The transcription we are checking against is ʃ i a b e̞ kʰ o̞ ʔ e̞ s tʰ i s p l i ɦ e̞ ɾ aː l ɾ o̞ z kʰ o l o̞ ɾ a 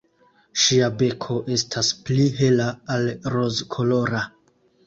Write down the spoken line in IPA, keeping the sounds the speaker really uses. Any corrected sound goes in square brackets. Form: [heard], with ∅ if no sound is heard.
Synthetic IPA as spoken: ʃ i a b e̞ kʰ o̞ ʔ e̞ s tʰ [a] s p l i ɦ e̞ [l] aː l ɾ o̞ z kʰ o l o̞ ɾ a